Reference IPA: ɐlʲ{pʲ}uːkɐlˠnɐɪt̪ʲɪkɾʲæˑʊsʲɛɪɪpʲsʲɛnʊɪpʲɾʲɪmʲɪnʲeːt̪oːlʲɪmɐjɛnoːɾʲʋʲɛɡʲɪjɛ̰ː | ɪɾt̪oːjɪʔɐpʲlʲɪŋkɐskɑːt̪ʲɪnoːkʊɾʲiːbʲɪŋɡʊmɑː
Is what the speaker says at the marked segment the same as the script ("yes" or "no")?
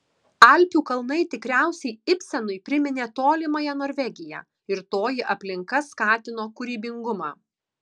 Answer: yes